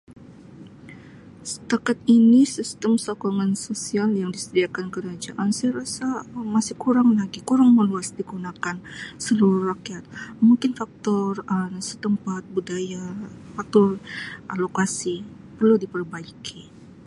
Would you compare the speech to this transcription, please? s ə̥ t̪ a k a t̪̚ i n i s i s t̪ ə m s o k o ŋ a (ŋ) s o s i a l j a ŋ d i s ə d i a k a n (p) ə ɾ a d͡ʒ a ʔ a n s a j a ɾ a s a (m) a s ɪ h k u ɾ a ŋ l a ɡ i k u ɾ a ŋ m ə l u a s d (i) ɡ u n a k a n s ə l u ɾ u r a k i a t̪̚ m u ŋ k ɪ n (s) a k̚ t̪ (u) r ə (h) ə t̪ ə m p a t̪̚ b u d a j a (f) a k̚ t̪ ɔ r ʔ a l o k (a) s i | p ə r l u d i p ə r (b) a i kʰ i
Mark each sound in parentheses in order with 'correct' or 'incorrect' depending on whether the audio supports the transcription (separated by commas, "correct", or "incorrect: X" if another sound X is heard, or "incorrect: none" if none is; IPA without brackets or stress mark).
incorrect: n, incorrect: k, correct, correct, incorrect: f, incorrect: ɔ, incorrect: s, correct, correct, correct